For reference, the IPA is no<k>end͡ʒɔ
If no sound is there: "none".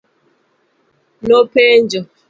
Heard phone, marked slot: p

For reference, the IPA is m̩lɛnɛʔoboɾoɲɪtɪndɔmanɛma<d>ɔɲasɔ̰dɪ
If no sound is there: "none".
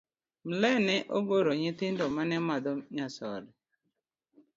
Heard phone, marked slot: d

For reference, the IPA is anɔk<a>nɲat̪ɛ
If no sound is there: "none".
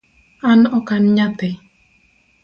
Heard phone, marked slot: a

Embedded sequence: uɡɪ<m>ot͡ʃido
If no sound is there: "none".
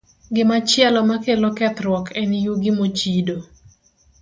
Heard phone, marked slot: m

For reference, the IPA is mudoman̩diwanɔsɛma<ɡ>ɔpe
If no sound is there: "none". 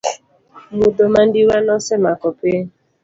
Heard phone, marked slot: k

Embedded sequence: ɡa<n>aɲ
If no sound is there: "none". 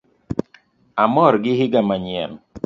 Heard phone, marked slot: m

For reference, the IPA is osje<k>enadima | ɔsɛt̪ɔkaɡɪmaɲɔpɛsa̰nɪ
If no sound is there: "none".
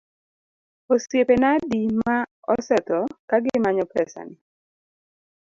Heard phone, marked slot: p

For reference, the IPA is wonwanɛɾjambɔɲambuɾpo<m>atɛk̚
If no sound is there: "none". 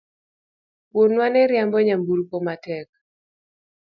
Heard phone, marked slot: m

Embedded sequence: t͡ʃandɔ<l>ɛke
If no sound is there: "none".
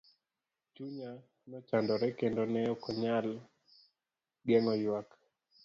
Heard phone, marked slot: ɾ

